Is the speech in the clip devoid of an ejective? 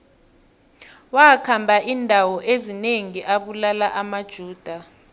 yes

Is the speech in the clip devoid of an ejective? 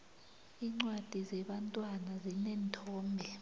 no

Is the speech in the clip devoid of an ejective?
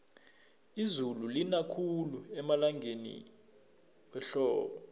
yes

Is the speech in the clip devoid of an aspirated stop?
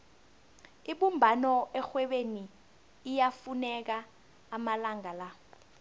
yes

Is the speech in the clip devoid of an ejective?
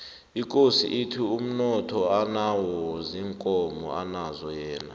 no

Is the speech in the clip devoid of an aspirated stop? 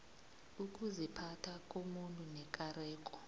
no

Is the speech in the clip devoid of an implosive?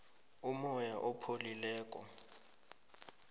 yes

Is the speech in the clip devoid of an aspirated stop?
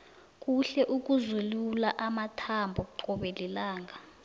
no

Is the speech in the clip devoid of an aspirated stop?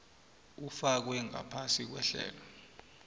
no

